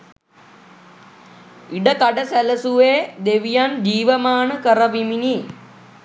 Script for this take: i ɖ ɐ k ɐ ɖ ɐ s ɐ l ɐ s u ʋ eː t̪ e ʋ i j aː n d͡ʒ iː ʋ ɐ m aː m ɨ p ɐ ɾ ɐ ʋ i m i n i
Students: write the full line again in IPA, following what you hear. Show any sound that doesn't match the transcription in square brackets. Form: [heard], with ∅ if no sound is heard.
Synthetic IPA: i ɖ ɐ k ɐ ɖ ɐ s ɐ l ɐ s u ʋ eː [d̪] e ʋ i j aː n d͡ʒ iː ʋ ɐ m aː [ɳ] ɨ [k] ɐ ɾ ɐ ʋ i m i n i